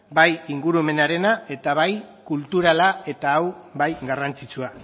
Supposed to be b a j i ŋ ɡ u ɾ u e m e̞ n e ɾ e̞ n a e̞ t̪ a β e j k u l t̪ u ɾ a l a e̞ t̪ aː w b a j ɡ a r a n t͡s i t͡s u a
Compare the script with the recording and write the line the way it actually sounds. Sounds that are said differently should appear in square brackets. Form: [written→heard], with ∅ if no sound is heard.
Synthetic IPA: b a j i ŋ ɡ u ɾ u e m e̞ n [e→a] ɾ e̞ n a e̞ t̪ a β [e→a] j k u l t̪ u ɾ a l a e̞ t̪ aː w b a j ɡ a r a n t͡s i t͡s u a